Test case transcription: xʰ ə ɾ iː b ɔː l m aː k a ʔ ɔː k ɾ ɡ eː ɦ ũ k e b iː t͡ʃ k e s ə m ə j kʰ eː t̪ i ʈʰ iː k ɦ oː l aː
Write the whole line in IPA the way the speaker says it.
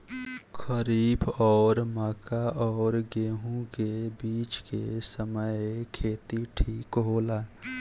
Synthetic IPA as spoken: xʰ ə ɾ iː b ɔː ɾ m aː k a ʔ ɔː ɾ ɡ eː ɦ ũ k e b iː t͡ʃ k e s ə m ə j kʰ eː t̪ i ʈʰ iː k ɦ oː l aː